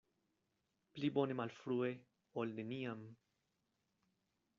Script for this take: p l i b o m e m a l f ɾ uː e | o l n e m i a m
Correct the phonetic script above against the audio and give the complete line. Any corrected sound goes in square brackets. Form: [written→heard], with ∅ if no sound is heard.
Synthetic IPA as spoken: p l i b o [m→n] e m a l f ɾ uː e | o l n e [m→n] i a m